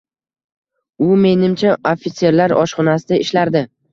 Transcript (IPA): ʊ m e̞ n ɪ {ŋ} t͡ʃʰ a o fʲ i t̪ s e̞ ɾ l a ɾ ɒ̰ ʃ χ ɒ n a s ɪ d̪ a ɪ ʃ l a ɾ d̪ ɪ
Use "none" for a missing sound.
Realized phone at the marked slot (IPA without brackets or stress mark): m